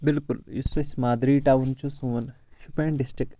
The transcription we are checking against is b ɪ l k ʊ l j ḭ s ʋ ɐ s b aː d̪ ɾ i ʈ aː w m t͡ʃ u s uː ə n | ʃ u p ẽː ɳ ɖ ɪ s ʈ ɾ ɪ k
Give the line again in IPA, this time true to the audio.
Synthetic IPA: b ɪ l k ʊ l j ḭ s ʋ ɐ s m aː d̪ ɾ i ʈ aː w n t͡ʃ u s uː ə n | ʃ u p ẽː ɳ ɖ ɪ s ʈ ɾ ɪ k